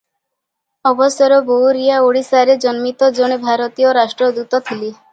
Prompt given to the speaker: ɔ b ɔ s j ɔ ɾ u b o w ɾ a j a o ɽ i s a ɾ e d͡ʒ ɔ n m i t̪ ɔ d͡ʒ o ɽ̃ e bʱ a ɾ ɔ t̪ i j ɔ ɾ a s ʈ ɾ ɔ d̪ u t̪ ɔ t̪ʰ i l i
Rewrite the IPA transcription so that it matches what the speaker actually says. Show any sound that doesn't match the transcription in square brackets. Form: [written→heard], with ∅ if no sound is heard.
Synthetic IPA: ɔ b ɔ s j ɔ ɾ [u→ɔ] b o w ɾ [a→i] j a o ɽ i s a ɾ e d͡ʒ ɔ n m i t̪ ɔ d͡ʒ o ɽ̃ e bʱ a ɾ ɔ t̪ i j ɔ ɾ a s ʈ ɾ ɔ d̪ u t̪ ɔ t̪ʰ i l i

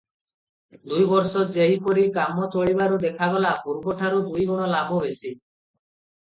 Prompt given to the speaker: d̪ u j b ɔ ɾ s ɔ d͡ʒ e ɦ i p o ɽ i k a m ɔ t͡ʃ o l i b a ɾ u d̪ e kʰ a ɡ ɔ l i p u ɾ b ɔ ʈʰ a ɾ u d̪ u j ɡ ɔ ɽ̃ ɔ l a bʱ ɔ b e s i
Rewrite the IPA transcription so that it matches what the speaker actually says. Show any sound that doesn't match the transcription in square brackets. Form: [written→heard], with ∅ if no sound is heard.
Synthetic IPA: d̪ u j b ɔ ɾ s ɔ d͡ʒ e ɦ i p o [ɽ→ɾ] i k a m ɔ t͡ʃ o [l→ɭ] i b a ɾ u d̪ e kʰ a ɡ ɔ l [i→a] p u ɾ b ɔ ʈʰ a ɾ u d̪ u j ɡ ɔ ɽ̃ ɔ l a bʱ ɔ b e s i

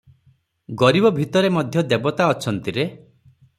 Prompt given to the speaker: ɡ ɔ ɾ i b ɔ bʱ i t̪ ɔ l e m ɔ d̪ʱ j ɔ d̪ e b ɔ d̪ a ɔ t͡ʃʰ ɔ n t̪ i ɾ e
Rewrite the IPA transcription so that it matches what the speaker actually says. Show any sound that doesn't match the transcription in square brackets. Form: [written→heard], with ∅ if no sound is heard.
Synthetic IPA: ɡ ɔ ɾ i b ɔ bʱ i t̪ ɔ [l→ɾ] e m ɔ d̪ʱ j ɔ d̪ e b ɔ [d̪→t̪] a ɔ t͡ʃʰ ɔ n t̪ i ɾ e

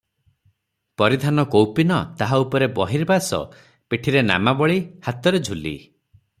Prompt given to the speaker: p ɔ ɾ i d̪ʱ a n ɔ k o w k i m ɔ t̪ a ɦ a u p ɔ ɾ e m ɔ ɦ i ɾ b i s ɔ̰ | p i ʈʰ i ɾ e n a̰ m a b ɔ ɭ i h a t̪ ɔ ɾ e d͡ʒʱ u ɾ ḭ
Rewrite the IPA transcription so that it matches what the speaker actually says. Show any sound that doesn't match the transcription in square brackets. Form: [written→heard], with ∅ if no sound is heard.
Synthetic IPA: p ɔ ɾ i d̪ʱ a n ɔ k o w [k→p] i [m→n] ɔ t̪ a ɦ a u p ɔ ɾ e [m→b] ɔ ɦ i ɾ b [i→a] s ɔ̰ | p i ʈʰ i ɾ e n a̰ m a b ɔ ɭ i h a t̪ ɔ ɾ e d͡ʒʱ u [ɾ→l] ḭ

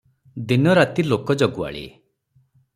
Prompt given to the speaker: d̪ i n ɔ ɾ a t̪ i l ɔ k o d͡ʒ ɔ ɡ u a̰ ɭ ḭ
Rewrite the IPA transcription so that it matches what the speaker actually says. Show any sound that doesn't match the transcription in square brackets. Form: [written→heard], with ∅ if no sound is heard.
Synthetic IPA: d̪ i n ɔ ɾ a t̪ i l [ɔ→o] k [o→ɔ] d͡ʒ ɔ ɡ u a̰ ɭ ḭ

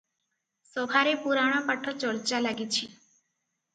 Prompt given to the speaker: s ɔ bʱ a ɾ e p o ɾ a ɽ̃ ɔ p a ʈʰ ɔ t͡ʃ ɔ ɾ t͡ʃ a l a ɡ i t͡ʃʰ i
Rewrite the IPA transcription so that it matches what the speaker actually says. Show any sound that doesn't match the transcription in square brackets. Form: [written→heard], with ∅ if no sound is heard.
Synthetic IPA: s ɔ bʱ a ɾ e p [o→u] ɾ a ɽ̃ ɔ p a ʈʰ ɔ t͡ʃ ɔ ɾ t͡ʃ a l a ɡ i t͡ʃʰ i

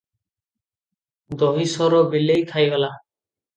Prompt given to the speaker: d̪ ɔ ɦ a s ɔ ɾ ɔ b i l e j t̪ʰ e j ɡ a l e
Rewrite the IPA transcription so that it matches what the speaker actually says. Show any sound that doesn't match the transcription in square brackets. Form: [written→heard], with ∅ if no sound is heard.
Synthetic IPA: d̪ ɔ ɦ [a→i] s ɔ ɾ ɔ b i l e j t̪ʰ [e→a] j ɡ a l [e→a]

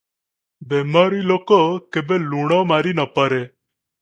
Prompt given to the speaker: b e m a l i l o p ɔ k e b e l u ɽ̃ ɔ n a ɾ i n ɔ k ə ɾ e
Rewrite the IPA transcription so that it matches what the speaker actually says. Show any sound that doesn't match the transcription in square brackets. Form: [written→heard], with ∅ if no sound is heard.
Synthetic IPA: b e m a [l→ɾ] i l o [p→k] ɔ k e b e l u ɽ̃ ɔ [n→m] a ɾ i n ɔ [k→p] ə ɾ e

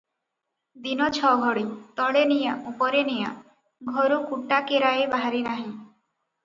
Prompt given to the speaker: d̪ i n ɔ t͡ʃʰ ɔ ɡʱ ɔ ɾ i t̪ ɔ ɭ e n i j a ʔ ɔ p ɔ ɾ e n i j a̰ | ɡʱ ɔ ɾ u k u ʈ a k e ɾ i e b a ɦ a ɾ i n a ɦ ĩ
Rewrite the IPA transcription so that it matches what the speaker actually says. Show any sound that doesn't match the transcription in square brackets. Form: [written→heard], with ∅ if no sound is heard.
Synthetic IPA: d̪ i n ɔ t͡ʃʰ ɔ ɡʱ ɔ [ɾ→ɽ] i t̪ ɔ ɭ e n i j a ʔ [ɔ→u] p ɔ ɾ e n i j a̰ | ɡʱ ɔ ɾ u k u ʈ a k e ɾ [i→a] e b a ɦ a ɾ i n a ɦ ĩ

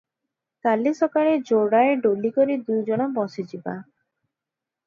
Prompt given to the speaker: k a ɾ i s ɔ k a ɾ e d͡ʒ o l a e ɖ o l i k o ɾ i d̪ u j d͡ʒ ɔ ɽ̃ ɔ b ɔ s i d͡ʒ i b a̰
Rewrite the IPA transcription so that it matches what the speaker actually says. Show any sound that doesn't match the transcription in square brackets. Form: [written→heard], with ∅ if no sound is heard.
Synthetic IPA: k a [ɾ→l] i s ɔ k a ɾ e d͡ʒ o [l→ɽ] a e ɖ o l i k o ɾ i d̪ u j d͡ʒ ɔ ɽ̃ ɔ b ɔ s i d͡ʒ i b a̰

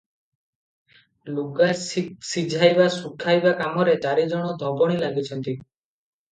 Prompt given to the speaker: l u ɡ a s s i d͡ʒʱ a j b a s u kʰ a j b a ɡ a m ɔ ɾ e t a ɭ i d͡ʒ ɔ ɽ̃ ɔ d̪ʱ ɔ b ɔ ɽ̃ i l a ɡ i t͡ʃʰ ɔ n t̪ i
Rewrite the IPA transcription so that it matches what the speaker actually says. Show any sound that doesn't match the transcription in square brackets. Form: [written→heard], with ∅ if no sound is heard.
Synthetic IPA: l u ɡ a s s i d͡ʒʱ a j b a s u kʰ a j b a [ɡ→k] a m ɔ ɾ e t a [ɭ→ɾ] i d͡ʒ ɔ ɽ̃ ɔ d̪ʱ ɔ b ɔ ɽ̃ i l a ɡ i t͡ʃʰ ɔ n t̪ i

